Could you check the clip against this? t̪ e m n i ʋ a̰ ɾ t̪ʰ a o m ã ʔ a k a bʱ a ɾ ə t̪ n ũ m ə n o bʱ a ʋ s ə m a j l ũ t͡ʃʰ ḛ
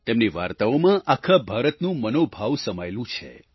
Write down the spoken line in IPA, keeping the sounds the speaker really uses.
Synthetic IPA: t̪ e m n i ʋ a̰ ɾ t̪ a o m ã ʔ a kʰ a bʱ a ɾ ə t̪ n ũ m ə n o bʱ a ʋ s ə m a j l ũ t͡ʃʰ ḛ